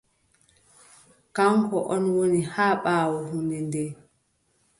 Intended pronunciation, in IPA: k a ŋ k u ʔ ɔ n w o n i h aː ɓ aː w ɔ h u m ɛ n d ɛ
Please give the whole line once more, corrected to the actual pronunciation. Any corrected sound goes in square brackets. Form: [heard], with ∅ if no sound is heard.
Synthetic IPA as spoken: k a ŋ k [ɔ] ʔ ɔ n w o n i h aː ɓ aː w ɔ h u [n] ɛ n d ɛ